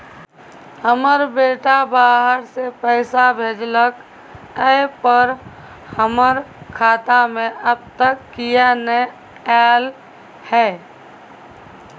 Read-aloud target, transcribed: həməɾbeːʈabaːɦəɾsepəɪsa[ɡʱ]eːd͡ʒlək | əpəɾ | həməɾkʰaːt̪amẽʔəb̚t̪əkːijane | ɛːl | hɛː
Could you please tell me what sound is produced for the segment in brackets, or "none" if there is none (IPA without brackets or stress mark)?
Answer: bʱ